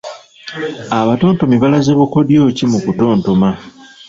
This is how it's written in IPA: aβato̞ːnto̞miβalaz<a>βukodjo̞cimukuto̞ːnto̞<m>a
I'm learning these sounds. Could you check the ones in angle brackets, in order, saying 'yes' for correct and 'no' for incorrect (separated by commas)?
no, yes